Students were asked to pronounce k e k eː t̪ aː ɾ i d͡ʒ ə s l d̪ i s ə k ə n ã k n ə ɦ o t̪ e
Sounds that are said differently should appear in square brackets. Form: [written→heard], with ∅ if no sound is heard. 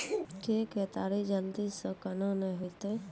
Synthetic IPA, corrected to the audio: k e k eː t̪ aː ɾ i d͡ʒ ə [s→∅] l d̪ i s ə k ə n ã [k→∅] n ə ɦ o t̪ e

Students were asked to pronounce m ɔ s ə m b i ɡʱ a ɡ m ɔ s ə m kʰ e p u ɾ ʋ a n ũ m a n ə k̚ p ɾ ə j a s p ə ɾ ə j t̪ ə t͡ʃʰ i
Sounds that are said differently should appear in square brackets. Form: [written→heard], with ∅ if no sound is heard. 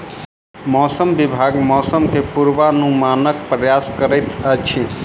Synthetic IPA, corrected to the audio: m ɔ s ə m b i [ɡʱ→bʱ] a ɡ m ɔ s ə m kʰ e p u ɾ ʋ a n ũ m a n ə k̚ p ɾ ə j a s [p→k] ə ɾ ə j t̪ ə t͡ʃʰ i

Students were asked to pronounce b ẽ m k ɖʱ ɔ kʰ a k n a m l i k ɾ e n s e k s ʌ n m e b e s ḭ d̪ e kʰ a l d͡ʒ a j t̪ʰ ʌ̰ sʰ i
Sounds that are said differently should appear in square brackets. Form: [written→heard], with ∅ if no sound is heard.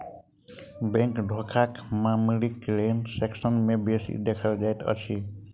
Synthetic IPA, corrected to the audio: b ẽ [m→ŋ] k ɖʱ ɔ kʰ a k [n→m] a m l i k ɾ e n s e k s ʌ n m e b e s ḭ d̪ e kʰ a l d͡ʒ a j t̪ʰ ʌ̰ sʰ i

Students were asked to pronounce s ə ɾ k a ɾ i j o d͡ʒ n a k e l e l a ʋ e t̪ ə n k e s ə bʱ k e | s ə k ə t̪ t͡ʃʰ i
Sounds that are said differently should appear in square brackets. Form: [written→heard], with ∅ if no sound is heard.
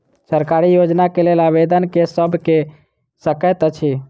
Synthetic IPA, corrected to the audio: s ə ɾ k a ɾ i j o d͡ʒ n a k e l e l a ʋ e [t̪→d̪] ə n k e s ə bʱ k e | s ə k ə t̪ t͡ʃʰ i

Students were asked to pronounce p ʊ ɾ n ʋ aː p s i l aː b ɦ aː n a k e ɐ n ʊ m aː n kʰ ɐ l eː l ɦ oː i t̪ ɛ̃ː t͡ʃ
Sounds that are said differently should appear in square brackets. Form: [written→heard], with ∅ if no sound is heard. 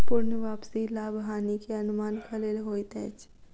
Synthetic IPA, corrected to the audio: p ʊ ɾ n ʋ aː p s i l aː b ɦ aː n [a→i] k e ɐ n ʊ m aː n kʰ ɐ l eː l ɦ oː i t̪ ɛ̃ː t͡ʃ

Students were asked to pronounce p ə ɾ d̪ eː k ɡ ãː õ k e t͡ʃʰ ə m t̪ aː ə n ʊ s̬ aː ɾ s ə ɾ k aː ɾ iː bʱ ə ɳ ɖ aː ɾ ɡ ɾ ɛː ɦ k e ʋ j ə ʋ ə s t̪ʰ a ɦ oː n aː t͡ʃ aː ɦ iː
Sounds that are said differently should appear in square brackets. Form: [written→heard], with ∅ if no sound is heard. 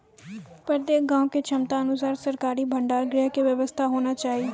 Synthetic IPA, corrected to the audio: p ə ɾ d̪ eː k ɡ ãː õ k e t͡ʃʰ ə m t̪ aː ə n ʊ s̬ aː ɾ s ə ɾ k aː ɾ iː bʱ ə ɳ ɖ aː ɾ ɡ ɾ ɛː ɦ k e ʋ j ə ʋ ə s t̪ʰ a ɦ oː n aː t͡ʃ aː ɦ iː

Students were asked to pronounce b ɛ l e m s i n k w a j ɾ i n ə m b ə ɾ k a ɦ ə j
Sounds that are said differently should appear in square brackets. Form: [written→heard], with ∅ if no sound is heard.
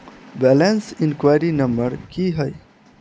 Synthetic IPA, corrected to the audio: b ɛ l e [m→n] s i n k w a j ɾ i n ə m b ə ɾ k [a→i] ɦ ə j

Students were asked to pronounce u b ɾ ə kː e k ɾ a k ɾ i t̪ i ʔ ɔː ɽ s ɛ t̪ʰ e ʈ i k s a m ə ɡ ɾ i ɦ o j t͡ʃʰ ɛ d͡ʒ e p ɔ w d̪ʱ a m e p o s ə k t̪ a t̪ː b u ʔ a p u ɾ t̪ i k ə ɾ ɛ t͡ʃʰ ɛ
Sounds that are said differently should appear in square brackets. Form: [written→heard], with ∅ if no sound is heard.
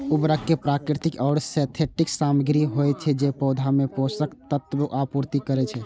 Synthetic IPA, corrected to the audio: u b ɾ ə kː e [k→p] ɾ a k ɾ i t̪ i [ʔ→k] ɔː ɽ s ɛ t̪ʰ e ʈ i k s a m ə ɡ ɾ i ɦ o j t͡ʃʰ ɛ d͡ʒ e p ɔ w d̪ʱ a m e p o s ə k t̪ [a→ə] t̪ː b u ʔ a p u ɾ t̪ i k ə ɾ ɛ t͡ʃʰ ɛ

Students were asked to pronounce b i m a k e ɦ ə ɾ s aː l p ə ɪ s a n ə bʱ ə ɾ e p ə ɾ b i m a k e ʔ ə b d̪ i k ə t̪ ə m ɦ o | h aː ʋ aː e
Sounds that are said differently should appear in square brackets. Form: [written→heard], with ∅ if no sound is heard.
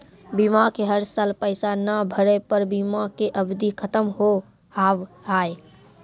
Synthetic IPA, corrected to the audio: b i m a k e ɦ ə ɾ s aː l p ə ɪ s a n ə bʱ ə ɾ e p ə ɾ b i m a k e ʔ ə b d̪ i [k→kʰ] ə t̪ ə m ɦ o | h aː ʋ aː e

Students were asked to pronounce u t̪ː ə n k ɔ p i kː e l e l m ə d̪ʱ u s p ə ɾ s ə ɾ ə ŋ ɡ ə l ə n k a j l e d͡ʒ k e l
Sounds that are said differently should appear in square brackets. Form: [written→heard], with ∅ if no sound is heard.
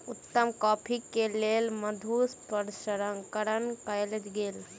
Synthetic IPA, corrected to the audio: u t̪ː ə [n→m] k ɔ [p→pʰ] i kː e l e l m ə d̪ʱ u s p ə ɾ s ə ɾ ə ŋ [ɡ→k] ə [l→ɾ] ə n k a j l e d͡ʒ [k→ɡ] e l

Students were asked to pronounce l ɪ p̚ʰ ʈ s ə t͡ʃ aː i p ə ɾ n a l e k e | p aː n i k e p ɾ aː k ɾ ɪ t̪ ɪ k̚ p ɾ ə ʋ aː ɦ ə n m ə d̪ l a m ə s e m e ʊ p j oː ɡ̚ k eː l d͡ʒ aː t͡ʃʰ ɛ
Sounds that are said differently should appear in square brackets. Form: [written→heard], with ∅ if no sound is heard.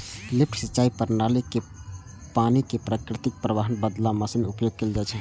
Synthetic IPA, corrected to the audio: l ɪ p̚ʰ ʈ s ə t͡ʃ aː i p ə ɾ n a l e k e | p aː n i k e p ɾ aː k ɾ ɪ t̪ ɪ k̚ p ɾ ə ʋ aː ɦ ə n [m→b] ə d̪ l a m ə s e m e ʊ p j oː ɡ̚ k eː l d͡ʒ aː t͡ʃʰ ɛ

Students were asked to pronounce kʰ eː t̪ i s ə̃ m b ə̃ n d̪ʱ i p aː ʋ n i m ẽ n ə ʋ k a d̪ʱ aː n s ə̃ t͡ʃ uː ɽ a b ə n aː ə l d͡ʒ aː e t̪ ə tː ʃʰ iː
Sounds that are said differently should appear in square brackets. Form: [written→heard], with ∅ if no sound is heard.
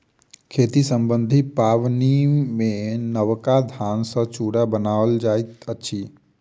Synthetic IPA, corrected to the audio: kʰ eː t̪ i s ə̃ m b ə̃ n d̪ʱ i p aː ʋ n i m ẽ n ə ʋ k a d̪ʱ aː n s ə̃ t͡ʃ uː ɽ a b ə n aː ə l d͡ʒ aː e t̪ ə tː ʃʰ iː

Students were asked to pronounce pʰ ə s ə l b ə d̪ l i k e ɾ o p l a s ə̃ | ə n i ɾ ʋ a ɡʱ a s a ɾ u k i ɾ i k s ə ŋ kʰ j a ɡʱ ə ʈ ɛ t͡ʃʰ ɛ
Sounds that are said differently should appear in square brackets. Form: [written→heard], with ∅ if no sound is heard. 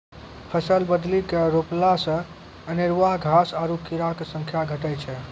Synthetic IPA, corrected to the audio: pʰ ə s ə l b ə d̪ l i k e ɾ o p l a s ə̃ | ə n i ɾ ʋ a ɡʱ a s a ɾ u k i ɾ [i→a] k s ə ŋ kʰ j a ɡʱ ə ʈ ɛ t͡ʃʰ ɛ

